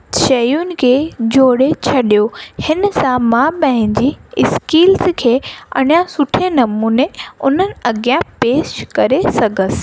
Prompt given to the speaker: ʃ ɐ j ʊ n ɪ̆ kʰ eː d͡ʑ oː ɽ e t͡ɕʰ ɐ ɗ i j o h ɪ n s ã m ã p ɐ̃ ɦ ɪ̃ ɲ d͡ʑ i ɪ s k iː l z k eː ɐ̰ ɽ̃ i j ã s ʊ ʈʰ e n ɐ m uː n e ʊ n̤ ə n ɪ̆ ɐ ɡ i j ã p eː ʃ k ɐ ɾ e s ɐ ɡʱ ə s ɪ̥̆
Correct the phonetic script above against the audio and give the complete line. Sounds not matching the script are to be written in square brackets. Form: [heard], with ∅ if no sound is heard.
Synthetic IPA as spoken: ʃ ɐ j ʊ n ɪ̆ kʰ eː d͡ʑ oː ɽ e t͡ɕʰ ɐ ɗ i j o h ɪ n s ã m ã p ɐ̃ ɦ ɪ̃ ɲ d͡ʑ i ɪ s k iː l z [kʰ] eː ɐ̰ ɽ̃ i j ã s ʊ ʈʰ e n ɐ m uː n e ʊ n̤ ə n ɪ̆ ɐ ɡ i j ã p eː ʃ k ɐ ɾ e s ɐ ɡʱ ə s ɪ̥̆